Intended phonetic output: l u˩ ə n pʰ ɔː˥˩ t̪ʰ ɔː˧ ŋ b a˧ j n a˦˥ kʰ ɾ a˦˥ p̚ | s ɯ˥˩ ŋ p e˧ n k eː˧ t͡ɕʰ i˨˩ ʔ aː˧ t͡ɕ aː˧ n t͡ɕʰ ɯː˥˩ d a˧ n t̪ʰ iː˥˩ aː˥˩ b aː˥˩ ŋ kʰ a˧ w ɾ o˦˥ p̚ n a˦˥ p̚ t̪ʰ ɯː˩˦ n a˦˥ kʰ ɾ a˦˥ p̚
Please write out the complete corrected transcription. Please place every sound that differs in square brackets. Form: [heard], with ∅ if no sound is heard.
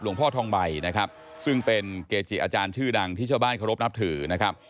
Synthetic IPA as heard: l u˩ ə [ŋ] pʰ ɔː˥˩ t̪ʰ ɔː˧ ŋ b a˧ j n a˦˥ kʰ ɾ a˦˥ p̚ | s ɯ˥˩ ŋ p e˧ n k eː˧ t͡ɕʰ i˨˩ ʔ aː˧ t͡ɕ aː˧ n t͡ɕʰ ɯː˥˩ d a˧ [ŋ] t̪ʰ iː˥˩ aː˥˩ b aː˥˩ [n] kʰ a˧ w ɾ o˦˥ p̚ n a˦˥ p̚ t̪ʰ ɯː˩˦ n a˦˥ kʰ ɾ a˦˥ p̚